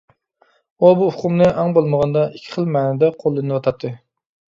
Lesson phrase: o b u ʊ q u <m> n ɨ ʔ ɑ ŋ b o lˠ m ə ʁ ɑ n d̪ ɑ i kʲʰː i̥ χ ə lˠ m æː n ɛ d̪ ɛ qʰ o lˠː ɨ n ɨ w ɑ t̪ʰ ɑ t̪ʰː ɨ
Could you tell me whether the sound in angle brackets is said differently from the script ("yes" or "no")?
no